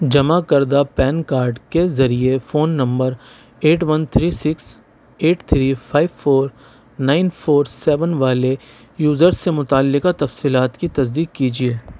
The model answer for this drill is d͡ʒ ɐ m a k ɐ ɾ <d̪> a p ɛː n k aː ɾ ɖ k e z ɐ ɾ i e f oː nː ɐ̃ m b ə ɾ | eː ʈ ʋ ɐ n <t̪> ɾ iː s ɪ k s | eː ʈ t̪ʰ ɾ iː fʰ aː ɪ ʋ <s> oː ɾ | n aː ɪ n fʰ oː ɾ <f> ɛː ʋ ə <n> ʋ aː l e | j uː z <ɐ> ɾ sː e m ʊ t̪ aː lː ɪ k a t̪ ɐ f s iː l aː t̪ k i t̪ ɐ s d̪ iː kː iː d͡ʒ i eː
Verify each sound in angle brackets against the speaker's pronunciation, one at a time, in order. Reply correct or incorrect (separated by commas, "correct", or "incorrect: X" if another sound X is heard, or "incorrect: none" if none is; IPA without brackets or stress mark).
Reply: correct, incorrect: t̪ʰ, incorrect: f, incorrect: s, correct, incorrect: ə